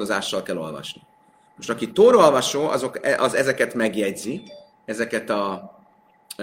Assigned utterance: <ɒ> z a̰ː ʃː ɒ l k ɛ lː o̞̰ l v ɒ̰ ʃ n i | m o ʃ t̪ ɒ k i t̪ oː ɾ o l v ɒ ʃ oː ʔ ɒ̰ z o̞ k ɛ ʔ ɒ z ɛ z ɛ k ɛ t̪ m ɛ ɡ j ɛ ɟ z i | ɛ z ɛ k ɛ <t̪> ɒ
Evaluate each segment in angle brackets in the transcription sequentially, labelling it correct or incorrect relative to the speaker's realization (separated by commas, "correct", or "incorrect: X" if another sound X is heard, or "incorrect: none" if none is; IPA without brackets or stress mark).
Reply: incorrect: o, correct